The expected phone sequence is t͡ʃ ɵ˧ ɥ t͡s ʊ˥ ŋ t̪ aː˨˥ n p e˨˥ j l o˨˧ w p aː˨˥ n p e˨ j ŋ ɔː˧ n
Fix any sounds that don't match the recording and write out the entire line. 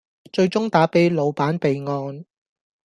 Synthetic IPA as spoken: t͡ʃ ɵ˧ ɥ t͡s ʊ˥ ŋ t̪ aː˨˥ p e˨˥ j l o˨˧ w p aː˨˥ n p e˨ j ŋ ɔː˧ n